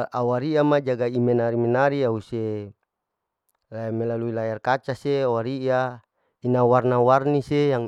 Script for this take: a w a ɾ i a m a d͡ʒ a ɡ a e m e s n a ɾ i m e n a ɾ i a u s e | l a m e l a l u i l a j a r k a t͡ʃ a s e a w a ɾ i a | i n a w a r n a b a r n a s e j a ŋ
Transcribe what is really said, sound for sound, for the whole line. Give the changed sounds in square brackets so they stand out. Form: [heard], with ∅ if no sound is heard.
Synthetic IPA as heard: a w a ɾ i a m a d͡ʒ a ɡ a [i] m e [∅] n a ɾ i m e n a ɾ i a u s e | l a m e l a l u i l a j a r k a t͡ʃ a s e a w a ɾ i a | i n a w a r n a [w] a r n [i] s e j a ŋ

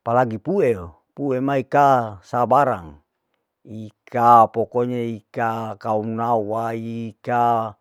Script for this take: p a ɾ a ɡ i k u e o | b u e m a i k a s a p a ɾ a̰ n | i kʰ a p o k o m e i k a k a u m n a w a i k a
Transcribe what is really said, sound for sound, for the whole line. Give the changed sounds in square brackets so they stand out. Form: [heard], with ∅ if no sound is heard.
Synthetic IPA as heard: p a [l] a ɡ i [p] u e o | [p] u e m a i k a s a [b] a ɾ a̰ [ŋ] | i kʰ a p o k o [ɲ] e i k a k a u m n a w a i k a

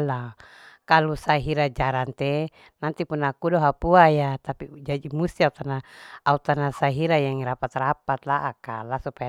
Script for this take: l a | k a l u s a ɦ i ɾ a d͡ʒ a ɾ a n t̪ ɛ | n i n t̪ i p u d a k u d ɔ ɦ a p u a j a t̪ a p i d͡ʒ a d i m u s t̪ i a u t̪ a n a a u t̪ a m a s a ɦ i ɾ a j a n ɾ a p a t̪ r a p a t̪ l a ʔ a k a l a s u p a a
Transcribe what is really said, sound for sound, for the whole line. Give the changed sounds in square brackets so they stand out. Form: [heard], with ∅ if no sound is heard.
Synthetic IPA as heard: l a | k a l u s a ɦ i ɾ a d͡ʒ a ɾ a n t̪ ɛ | n [a] n t̪ i p u [n] a k u d ɔ ɦ a p u a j a t̪ a p i d͡ʒ a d i m u s t̪ i a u t̪ a n a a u t̪ a [n] a s a ɦ i ɾ a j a [ŋ] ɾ a p a t̪ r a p a t̪ l a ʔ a k a l a s u p a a

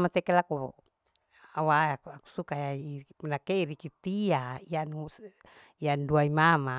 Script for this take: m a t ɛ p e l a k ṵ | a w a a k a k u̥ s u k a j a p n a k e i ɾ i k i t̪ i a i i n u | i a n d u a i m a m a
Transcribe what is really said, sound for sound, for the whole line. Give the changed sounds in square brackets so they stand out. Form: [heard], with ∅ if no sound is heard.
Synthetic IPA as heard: m a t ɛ [k] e l a k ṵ | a w a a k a k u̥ s u k a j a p n a k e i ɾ i k i t̪ i a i [a] n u | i a n d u a i m a m a

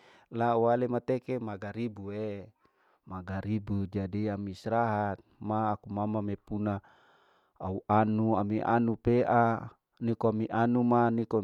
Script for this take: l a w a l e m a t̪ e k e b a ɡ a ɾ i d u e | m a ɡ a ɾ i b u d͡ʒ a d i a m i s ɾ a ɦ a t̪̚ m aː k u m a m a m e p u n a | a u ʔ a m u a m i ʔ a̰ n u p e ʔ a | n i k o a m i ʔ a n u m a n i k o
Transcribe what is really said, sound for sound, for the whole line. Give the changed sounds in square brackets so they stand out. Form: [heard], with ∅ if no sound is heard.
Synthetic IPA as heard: l a w a l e m a t̪ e k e [m] a ɡ a ɾ i [b] u e | m a ɡ a ɾ i b u d͡ʒ a d i a m i s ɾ a ɦ a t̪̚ m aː k u m a m a m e p u n a | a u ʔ a [n] u a m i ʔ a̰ n u p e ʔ a | n i k o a m i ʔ a n u m a n i k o

